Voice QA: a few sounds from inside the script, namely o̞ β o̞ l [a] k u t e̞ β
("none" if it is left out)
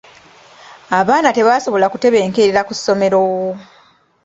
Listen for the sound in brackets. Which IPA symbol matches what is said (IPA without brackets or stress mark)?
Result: a